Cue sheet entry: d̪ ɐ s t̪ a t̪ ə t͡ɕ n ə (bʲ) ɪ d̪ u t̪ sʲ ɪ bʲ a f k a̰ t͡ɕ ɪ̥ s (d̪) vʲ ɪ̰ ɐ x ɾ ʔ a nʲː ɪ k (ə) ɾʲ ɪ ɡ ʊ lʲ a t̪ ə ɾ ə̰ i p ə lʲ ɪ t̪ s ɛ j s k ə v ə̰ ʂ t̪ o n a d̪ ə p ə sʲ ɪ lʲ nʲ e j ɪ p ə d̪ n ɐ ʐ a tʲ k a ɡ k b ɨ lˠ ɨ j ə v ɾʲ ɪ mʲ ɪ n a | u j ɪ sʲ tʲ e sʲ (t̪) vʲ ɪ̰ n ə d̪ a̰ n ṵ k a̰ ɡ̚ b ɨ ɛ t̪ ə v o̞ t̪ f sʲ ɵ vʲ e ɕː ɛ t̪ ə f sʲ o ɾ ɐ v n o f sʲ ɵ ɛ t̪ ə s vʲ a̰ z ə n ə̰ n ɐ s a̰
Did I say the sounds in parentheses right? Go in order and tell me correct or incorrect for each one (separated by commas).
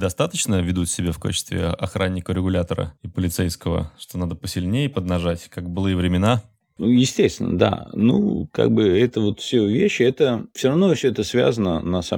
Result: incorrect, incorrect, correct, correct